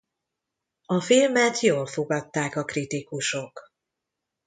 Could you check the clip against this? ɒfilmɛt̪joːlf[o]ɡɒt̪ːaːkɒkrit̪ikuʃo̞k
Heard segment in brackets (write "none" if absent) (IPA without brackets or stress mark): o